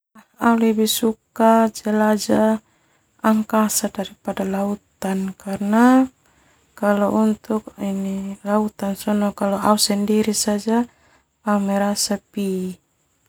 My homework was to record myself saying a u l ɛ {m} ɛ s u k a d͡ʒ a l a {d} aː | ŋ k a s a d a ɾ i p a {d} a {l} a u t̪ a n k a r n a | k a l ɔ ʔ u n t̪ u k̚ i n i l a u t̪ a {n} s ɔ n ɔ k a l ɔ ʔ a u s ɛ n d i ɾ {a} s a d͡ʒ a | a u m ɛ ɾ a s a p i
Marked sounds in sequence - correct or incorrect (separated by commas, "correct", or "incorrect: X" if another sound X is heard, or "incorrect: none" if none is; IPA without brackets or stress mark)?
incorrect: b, incorrect: d͡ʒ, correct, correct, correct, incorrect: i